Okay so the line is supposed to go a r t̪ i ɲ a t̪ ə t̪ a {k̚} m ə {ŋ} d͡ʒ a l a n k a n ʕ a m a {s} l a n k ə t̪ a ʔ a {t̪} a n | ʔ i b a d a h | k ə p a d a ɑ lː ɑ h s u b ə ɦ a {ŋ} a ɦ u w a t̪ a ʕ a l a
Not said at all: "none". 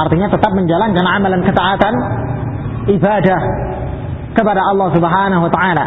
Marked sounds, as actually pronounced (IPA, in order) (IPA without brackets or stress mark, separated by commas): p̚, ɲ, none, t̪, n